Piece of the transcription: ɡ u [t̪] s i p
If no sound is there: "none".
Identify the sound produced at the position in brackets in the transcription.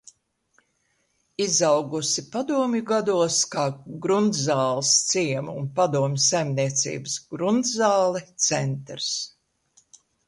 none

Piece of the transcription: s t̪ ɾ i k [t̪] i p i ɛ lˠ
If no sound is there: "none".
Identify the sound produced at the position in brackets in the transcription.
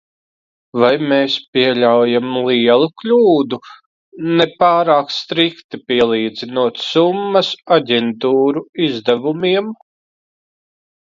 t̪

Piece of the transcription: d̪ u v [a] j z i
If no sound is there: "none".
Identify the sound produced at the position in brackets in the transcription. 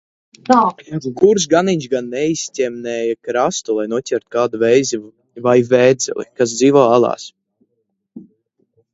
ɛ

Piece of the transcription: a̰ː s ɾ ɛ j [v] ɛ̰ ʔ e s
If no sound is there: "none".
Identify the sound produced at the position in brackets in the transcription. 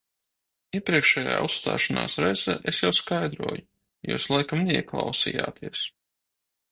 z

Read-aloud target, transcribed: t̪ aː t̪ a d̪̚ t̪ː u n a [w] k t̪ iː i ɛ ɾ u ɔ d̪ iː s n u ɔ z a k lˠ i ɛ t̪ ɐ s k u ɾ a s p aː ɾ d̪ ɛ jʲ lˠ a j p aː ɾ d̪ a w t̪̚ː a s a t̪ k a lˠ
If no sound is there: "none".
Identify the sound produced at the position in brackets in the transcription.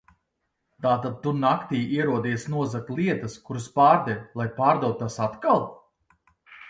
none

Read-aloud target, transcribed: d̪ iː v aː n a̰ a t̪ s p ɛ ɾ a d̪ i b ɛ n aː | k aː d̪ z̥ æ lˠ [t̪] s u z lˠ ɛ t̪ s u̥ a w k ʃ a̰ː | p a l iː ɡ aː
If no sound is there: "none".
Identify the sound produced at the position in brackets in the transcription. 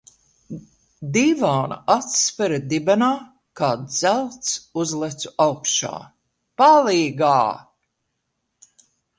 t̪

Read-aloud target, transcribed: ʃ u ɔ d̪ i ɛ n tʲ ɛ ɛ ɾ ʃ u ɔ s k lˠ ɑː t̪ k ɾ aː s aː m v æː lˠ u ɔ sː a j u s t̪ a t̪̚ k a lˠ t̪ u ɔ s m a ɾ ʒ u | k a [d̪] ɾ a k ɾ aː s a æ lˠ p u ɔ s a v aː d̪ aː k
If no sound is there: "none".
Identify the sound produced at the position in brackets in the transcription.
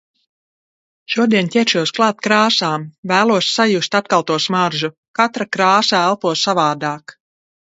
t̪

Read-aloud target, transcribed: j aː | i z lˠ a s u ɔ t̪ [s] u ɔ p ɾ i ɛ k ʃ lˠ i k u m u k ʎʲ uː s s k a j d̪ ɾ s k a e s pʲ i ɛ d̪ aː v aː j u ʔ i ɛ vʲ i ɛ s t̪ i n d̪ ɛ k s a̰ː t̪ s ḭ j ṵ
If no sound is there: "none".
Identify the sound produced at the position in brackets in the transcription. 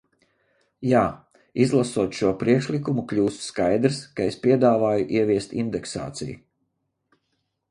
ʃ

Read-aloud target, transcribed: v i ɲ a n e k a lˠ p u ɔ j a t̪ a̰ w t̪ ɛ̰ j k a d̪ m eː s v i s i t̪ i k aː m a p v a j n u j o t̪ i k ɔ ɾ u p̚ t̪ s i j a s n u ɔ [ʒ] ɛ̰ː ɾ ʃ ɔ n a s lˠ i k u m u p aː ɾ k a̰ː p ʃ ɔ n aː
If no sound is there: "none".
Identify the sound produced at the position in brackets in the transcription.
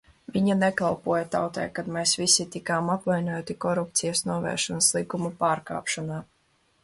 v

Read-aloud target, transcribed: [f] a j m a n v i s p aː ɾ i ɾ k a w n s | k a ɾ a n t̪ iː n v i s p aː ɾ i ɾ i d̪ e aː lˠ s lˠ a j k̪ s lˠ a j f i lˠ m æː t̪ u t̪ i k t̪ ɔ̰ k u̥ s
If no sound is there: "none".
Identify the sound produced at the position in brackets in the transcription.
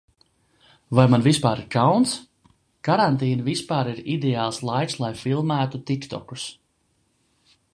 v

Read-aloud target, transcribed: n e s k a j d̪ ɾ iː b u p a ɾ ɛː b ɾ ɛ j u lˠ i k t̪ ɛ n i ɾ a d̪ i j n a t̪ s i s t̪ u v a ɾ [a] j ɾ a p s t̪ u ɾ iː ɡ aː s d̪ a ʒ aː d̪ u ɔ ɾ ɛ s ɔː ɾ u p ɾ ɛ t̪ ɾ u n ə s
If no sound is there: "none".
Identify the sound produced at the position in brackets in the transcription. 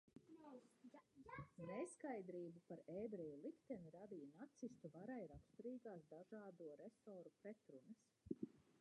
a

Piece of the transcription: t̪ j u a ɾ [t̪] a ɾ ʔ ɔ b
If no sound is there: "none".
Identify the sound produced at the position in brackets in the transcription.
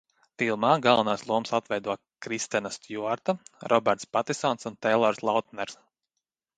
t̪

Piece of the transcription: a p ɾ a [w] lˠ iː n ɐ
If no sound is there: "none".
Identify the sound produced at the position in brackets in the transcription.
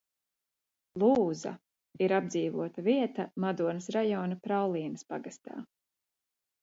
w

